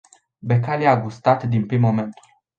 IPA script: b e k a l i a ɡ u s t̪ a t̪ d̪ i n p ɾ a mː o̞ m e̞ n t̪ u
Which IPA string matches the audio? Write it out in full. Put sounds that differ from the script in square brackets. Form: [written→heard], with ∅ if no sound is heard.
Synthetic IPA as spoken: b e k a l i a ɡ u s t̪ a t̪ d̪ i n p ɾ [a→i] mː o̞ m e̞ n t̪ u